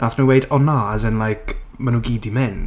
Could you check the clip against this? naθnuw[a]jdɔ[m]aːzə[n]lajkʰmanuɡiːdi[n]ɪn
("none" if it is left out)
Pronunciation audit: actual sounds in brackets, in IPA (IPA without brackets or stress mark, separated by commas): e, n, n, m